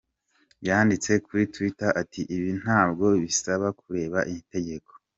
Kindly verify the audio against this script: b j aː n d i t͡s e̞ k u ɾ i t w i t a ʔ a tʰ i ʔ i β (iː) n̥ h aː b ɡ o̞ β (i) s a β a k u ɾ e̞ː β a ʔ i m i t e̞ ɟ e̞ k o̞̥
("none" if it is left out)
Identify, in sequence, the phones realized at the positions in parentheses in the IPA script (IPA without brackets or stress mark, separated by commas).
i, i